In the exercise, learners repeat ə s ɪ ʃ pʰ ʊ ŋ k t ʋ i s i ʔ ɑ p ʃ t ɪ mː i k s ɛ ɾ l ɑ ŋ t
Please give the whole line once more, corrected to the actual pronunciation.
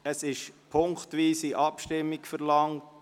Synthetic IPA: ə s ɪ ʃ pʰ ʊ ŋ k t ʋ iː s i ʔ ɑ p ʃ t ɪ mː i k f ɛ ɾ l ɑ ŋ t